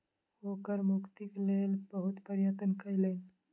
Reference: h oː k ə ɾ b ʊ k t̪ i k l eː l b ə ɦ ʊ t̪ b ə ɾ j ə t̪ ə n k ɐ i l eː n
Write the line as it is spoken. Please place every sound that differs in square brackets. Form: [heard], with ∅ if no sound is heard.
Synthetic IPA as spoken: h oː k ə ɾ [m] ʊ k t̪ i k l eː l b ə ɦ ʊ t̪ [p] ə ɾ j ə t̪ ə n k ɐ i l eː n